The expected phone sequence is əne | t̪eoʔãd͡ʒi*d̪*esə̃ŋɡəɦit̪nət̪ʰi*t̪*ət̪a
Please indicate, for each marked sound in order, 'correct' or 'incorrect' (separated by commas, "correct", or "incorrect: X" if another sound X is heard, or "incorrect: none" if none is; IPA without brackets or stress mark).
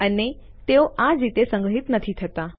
incorrect: t̪, incorrect: t̪ʰ